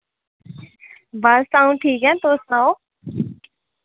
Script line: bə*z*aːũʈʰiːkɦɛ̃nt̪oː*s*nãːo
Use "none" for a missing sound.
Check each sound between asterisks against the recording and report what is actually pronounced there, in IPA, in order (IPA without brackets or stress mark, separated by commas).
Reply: s, s